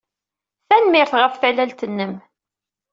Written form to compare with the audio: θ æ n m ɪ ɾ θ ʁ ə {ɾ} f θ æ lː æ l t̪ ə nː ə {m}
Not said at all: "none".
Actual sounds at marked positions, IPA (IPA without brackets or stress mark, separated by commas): none, m